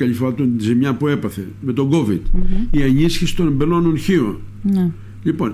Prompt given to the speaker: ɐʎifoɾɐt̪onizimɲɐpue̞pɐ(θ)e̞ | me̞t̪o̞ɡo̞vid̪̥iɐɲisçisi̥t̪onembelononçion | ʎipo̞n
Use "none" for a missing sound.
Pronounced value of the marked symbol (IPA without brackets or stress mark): θ